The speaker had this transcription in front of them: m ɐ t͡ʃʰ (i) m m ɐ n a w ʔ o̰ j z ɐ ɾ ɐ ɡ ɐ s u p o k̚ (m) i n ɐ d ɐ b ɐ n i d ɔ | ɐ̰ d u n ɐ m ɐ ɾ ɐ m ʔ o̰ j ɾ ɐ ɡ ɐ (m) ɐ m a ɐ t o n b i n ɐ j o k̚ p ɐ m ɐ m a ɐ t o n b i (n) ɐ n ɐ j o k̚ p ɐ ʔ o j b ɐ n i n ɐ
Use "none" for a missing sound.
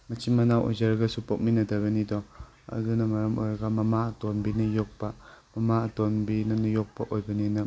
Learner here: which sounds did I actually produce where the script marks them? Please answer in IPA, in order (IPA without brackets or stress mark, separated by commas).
i, m, m, n